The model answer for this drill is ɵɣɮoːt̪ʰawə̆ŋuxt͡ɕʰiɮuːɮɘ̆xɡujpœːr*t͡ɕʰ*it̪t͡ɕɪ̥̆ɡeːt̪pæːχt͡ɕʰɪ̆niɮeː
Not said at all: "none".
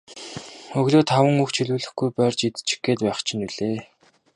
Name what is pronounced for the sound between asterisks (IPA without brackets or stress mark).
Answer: t͡ɕ